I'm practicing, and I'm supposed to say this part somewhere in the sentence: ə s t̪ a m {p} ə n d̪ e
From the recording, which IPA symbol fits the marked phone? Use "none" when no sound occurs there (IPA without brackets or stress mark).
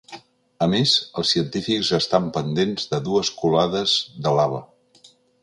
p